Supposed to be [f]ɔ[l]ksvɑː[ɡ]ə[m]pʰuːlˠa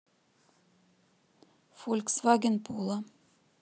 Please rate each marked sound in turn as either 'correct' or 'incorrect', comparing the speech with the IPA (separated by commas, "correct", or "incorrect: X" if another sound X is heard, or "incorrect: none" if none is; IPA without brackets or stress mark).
correct, correct, correct, incorrect: n